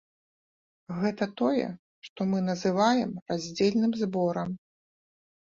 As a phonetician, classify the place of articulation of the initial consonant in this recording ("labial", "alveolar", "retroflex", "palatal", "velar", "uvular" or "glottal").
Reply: velar